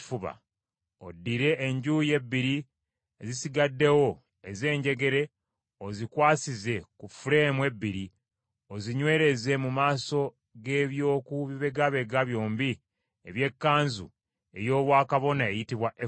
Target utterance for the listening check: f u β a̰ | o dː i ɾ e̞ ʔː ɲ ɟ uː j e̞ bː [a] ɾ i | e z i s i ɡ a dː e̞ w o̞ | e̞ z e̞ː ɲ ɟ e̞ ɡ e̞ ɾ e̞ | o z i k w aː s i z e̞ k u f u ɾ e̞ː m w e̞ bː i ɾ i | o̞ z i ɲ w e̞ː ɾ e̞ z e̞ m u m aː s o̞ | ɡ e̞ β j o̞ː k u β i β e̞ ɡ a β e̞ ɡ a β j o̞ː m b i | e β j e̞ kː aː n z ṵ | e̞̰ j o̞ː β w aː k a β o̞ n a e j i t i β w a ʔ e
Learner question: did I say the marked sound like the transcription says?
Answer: no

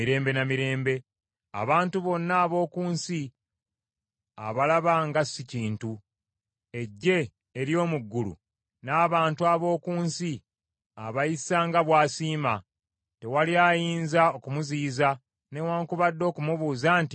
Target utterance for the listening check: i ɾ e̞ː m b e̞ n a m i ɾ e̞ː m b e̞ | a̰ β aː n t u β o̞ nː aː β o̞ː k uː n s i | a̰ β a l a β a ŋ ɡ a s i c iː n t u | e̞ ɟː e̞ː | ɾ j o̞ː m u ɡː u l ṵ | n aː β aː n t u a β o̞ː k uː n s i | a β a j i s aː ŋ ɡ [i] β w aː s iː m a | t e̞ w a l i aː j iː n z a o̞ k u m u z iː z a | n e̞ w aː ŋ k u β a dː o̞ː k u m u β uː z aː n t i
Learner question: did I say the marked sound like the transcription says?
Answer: no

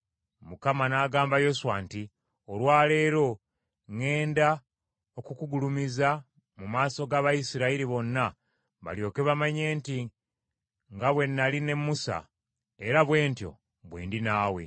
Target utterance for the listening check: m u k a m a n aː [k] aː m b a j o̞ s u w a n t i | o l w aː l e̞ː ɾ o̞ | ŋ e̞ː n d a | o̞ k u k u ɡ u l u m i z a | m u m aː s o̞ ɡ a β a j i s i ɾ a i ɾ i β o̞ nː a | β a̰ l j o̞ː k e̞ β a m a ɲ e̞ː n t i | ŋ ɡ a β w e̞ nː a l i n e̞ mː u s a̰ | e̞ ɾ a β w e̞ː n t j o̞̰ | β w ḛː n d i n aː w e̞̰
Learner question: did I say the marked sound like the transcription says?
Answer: no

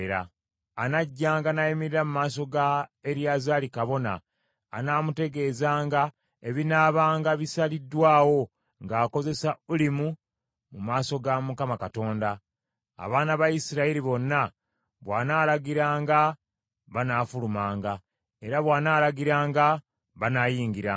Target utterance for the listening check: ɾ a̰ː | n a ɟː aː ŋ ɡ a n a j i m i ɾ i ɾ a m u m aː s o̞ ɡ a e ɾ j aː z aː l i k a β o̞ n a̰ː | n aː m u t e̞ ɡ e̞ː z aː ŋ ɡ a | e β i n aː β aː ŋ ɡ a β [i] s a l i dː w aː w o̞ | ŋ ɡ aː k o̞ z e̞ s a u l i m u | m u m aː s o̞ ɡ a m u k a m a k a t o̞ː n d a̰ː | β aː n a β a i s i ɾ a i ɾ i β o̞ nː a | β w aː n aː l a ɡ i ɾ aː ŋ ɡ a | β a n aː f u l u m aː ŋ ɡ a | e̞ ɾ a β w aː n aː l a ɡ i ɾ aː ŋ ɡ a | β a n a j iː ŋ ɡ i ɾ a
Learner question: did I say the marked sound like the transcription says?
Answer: yes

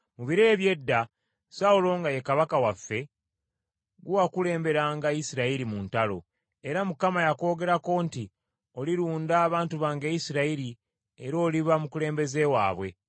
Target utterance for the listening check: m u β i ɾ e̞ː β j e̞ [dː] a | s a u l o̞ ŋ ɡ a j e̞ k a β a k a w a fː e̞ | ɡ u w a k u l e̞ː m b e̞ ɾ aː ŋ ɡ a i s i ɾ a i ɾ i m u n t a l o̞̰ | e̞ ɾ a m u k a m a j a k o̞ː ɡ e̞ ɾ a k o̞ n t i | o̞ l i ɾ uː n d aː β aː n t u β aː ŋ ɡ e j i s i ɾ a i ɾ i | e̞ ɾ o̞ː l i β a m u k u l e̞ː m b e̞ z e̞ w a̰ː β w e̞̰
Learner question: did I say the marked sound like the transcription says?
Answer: yes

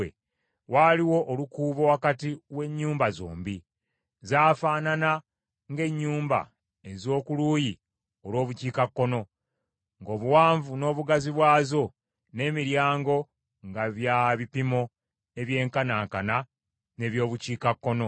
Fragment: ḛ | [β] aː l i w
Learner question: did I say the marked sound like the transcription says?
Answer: no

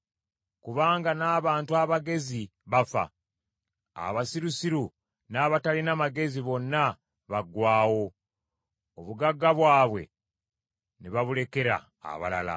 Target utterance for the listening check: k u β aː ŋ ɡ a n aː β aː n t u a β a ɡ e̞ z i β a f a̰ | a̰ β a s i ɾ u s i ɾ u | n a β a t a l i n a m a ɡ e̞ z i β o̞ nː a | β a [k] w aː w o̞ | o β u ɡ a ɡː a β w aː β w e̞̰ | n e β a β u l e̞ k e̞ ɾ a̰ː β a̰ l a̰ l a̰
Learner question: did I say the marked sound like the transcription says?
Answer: no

